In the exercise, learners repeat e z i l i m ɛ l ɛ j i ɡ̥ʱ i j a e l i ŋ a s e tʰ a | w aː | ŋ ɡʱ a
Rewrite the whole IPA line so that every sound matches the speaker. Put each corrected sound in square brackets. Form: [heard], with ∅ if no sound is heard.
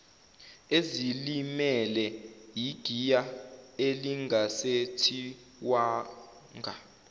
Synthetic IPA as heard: e z i l i m ɛ l ɛ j i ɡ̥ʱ i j a e l i ŋ a s e tʰ [i] | w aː | ŋ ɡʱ a